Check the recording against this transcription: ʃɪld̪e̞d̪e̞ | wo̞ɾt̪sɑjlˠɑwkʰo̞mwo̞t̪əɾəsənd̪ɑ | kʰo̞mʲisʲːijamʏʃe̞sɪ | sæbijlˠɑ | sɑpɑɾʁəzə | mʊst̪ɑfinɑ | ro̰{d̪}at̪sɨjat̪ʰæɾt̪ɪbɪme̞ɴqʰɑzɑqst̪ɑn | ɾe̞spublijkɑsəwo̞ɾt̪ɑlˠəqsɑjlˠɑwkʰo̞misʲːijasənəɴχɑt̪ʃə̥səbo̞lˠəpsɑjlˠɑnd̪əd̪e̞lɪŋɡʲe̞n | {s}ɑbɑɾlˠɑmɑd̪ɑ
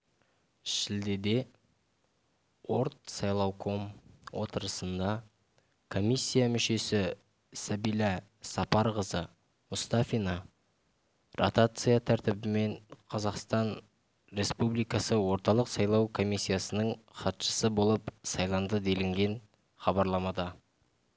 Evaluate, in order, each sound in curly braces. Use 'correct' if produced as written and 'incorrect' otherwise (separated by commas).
incorrect, incorrect